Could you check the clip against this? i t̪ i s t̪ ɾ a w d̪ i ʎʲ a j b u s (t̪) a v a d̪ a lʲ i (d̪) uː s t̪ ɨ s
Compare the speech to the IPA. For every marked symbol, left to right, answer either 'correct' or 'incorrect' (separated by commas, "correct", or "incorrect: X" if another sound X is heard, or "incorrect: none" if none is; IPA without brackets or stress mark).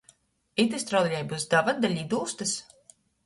incorrect: d̪, correct